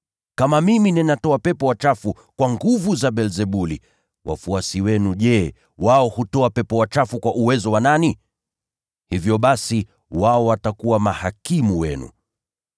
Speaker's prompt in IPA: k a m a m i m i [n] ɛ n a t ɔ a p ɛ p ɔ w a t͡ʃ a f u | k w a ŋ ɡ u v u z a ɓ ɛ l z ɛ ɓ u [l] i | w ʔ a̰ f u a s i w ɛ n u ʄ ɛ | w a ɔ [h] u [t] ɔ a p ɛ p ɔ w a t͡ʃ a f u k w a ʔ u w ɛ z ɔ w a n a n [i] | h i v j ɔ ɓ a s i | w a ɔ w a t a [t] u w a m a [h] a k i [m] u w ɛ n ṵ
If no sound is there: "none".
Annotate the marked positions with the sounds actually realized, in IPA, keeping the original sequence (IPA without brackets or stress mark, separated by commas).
n, l, h, t, i, k, h, m